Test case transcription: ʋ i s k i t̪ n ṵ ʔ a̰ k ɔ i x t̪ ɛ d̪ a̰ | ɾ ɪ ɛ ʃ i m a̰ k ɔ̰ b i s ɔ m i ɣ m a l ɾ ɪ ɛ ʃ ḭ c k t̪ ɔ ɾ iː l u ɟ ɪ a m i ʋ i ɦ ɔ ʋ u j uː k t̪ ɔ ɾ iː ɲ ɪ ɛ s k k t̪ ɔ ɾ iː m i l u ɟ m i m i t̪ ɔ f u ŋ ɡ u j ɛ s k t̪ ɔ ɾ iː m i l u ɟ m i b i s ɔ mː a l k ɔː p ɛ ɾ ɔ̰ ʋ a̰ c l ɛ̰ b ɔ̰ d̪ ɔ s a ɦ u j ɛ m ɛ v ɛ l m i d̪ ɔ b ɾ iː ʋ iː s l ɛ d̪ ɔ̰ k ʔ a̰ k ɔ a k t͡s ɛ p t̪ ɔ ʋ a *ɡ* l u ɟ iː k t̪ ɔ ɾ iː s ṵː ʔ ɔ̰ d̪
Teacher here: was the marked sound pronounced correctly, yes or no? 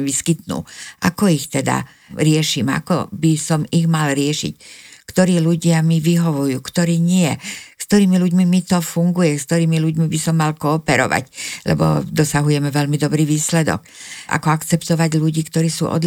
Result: no